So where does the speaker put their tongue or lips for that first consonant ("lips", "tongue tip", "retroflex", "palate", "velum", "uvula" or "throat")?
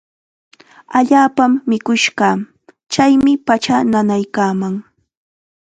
palate